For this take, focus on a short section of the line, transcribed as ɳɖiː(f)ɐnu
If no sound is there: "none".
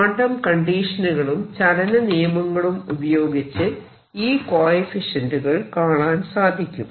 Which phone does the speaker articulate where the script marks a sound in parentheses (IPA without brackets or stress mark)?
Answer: ʂ